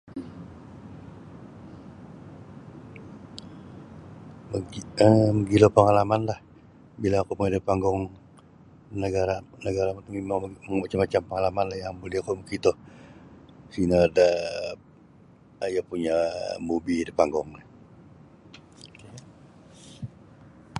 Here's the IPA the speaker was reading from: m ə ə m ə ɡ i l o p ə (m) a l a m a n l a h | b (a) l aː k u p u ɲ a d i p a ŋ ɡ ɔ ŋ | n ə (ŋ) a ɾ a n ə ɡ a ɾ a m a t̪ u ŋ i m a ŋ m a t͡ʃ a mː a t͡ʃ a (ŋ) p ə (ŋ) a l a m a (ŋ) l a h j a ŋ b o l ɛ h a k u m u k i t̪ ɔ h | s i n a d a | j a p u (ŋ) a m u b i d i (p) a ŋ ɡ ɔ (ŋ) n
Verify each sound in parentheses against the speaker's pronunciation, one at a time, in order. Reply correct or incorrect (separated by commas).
incorrect, incorrect, incorrect, incorrect, correct, incorrect, incorrect, correct, correct